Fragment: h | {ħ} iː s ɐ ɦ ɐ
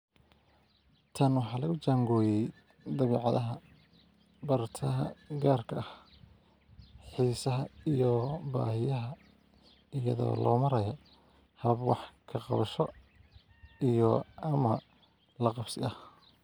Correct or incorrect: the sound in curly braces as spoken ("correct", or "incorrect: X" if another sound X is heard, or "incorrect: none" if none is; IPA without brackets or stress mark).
correct